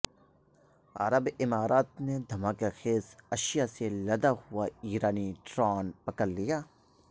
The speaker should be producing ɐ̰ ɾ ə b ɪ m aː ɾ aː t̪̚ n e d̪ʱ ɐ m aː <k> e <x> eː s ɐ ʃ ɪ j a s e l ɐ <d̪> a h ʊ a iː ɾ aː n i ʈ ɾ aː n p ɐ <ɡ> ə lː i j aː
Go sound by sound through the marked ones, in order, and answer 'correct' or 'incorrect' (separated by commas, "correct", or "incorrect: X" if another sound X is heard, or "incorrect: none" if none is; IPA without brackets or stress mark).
correct, correct, correct, incorrect: k